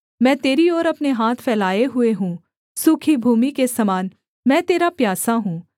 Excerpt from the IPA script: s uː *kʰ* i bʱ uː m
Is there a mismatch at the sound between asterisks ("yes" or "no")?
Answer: no